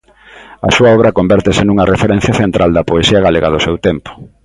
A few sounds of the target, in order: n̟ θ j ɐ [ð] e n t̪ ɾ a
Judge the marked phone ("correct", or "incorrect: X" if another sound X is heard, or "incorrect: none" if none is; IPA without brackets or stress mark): incorrect: θ